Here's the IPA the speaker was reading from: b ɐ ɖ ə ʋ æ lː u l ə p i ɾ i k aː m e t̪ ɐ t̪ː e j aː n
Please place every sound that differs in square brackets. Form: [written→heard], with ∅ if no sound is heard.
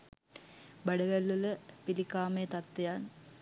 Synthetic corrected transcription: b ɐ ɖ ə ʋ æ lː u l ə p i [ɾ→l] i k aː m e t̪ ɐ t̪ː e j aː n